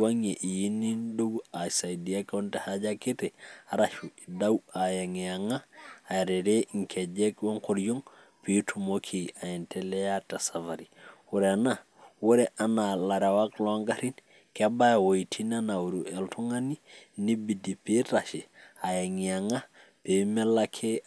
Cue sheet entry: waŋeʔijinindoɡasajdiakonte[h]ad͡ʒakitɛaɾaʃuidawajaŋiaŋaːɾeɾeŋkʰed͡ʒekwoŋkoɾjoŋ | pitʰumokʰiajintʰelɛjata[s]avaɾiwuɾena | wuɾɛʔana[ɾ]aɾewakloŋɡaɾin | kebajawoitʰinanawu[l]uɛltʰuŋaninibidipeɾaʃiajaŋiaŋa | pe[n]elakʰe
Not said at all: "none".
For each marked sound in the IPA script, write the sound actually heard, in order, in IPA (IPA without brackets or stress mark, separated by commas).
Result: h, s, l, ɾ, m